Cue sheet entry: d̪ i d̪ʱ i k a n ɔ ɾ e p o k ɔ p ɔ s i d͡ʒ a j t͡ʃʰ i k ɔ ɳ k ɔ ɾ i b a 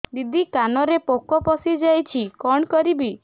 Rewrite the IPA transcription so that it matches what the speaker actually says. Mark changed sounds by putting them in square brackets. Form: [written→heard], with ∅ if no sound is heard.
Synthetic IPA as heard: d̪ i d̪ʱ i k a n ɔ ɾ e p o k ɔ p ɔ s i d͡ʒ a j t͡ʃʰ i k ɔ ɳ k ɔ ɾ i b [a→i]